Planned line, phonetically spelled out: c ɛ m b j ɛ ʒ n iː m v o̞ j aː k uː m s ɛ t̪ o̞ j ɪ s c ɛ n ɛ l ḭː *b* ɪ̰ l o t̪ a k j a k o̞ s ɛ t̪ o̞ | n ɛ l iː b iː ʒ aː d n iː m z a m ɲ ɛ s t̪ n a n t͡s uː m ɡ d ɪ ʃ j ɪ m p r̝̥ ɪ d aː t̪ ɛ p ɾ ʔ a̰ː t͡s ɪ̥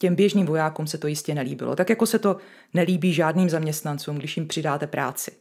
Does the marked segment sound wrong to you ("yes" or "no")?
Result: no